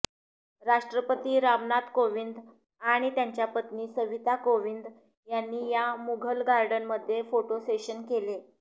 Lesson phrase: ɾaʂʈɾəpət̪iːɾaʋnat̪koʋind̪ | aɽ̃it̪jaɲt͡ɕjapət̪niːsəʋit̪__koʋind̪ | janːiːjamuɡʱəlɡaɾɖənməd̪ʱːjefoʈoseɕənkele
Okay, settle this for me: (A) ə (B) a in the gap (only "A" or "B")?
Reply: B